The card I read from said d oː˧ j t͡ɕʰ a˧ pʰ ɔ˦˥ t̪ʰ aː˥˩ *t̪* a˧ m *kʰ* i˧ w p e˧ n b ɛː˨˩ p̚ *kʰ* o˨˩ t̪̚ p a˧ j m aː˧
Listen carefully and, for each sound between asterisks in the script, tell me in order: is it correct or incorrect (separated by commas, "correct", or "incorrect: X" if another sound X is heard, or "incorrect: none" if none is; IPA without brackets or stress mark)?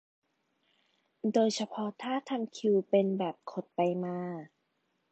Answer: incorrect: t̪ʰ, correct, correct